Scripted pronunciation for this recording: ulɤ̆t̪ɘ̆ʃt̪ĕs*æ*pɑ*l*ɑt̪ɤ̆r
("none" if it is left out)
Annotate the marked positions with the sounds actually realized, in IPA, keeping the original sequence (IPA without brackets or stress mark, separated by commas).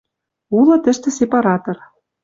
e, ɾ